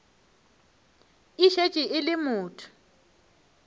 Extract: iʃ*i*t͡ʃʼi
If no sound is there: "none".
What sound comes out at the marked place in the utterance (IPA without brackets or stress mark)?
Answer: e